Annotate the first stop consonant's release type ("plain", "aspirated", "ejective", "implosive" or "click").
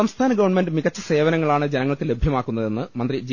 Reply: aspirated